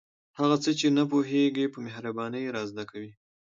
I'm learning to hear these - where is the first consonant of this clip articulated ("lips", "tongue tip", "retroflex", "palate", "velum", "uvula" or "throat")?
throat